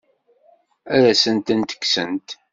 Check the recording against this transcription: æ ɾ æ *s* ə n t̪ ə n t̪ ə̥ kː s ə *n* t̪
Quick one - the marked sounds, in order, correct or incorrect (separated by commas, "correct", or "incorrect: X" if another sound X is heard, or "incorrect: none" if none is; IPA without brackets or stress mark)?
correct, correct